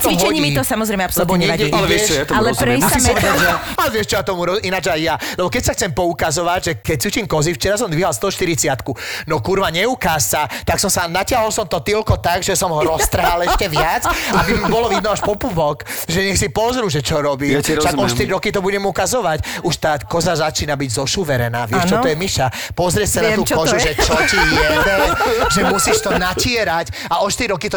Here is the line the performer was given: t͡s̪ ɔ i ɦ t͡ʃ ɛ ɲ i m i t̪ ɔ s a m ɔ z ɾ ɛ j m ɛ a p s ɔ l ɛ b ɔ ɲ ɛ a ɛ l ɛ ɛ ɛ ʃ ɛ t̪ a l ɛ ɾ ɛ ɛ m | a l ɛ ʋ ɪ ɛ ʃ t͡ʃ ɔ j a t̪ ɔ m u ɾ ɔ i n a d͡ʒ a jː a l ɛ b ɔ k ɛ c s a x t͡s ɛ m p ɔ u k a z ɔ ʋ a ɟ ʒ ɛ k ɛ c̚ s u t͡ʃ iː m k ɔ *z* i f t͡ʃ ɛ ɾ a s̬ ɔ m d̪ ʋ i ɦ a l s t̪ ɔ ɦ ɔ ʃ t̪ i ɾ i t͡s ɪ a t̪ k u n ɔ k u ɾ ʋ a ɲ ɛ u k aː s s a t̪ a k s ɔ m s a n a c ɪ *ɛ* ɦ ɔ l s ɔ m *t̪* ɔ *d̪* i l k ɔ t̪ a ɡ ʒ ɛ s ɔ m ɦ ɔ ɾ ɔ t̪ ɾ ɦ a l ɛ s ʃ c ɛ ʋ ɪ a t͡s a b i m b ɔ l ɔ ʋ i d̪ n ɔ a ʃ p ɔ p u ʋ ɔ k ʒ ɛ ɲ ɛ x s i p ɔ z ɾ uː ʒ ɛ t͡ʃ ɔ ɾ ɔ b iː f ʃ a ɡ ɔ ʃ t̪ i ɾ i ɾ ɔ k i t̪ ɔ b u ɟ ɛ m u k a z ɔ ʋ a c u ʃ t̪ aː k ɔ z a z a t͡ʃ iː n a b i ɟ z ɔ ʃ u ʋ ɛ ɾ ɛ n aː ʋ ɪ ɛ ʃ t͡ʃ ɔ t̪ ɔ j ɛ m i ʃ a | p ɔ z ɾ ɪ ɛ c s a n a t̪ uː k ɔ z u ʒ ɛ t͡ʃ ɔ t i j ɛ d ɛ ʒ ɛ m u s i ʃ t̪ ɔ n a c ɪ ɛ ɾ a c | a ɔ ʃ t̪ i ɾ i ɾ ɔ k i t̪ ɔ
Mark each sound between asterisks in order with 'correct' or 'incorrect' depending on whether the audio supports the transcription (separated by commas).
correct, incorrect, correct, incorrect